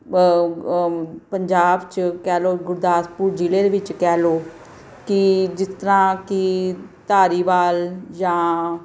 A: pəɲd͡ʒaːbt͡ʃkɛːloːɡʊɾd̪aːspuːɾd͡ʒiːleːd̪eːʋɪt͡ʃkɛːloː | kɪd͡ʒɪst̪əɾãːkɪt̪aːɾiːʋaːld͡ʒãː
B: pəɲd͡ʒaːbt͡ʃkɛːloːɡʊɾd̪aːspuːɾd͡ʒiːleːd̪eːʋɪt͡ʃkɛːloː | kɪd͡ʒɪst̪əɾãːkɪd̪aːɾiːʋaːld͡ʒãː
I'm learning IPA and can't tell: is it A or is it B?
A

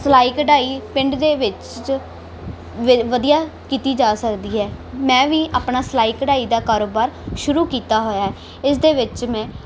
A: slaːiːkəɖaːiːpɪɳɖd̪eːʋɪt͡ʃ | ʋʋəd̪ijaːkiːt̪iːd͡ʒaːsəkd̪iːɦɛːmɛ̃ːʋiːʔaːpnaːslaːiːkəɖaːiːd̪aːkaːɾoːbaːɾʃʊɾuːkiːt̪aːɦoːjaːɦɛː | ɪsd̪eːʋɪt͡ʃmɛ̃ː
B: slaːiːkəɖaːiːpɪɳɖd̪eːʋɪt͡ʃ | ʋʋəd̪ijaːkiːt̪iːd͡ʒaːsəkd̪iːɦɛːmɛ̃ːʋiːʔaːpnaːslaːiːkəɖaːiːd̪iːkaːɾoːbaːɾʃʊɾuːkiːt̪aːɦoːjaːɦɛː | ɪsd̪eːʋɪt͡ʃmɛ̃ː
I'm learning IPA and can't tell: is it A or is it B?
A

